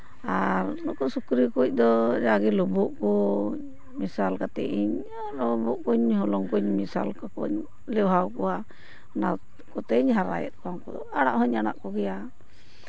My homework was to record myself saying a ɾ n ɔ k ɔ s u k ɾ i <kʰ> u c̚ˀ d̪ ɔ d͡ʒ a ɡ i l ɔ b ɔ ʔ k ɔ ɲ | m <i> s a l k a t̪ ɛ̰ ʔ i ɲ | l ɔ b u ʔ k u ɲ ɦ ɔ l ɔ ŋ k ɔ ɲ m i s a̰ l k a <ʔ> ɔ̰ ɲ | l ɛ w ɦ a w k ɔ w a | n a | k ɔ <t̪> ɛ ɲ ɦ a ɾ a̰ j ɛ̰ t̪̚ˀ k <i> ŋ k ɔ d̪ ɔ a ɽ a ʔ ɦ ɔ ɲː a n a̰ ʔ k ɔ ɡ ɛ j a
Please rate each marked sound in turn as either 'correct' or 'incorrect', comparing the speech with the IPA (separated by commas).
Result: incorrect, correct, incorrect, correct, incorrect